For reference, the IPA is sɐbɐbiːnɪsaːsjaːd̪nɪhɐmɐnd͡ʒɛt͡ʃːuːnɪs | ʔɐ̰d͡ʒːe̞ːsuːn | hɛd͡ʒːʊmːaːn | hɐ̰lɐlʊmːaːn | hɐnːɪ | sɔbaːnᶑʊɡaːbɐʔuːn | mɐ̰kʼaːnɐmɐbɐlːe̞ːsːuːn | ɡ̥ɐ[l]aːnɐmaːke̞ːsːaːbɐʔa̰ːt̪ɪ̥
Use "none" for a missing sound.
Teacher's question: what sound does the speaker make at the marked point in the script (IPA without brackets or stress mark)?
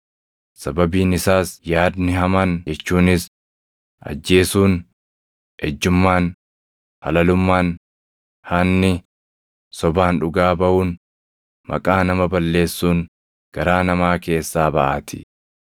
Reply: ɾ